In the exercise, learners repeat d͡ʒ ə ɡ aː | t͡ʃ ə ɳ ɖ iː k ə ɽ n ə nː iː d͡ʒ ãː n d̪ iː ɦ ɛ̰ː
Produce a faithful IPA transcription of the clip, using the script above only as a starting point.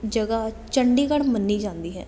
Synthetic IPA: d͡ʒ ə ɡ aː | t͡ʃ ə ɳ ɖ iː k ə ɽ m ə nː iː d͡ʒ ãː n d̪ iː ɦ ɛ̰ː